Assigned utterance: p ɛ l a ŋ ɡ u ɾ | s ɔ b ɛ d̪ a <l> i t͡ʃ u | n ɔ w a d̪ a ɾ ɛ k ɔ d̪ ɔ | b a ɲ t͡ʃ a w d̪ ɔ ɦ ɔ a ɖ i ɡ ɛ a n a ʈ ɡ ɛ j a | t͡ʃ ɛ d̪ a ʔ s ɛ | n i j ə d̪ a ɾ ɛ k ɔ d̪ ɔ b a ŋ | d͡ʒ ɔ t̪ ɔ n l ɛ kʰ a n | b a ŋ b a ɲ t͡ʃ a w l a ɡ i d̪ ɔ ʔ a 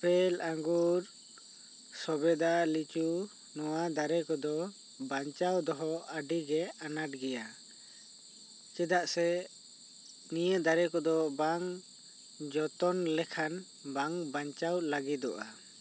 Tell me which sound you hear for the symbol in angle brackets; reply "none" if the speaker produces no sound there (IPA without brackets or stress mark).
l